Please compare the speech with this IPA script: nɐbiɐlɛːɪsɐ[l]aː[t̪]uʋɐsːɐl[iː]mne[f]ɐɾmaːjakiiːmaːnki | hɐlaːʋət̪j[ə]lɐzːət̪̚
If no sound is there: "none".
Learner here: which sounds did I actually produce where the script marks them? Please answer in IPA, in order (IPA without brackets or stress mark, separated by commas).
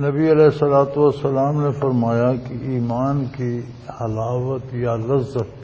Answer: l, t̪, aː, f, a